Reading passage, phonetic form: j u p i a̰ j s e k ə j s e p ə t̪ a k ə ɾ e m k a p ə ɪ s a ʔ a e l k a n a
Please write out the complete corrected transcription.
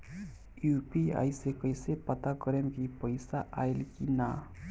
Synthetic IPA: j u p i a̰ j s e k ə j s e p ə t̪ a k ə ɾ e m k i p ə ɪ s a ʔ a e l k i n a